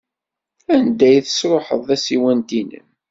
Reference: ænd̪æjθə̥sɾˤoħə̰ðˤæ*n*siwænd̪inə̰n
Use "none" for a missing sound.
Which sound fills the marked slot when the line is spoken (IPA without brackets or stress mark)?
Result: none